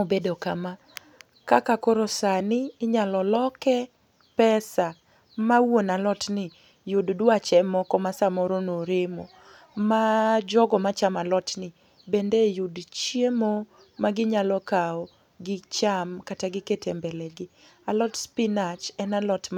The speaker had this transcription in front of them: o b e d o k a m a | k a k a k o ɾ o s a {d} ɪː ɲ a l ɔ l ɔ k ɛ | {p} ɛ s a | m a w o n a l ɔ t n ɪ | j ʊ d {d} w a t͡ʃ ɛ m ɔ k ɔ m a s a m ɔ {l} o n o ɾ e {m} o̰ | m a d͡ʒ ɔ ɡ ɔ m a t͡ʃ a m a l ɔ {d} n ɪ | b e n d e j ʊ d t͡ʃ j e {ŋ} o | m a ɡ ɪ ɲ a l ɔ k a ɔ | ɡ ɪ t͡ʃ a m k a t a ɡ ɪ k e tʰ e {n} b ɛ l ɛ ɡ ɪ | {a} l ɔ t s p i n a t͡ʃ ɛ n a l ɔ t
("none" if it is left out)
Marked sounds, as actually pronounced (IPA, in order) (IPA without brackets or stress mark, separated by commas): n, p, d, ɾ, m, t, m, m, a